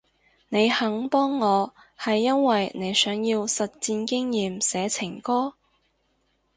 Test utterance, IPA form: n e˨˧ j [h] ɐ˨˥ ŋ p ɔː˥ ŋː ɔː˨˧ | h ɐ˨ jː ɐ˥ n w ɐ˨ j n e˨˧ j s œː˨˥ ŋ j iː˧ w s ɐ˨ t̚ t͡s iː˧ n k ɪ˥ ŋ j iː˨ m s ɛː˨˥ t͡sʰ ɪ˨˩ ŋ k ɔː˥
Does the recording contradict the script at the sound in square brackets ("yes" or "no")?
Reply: no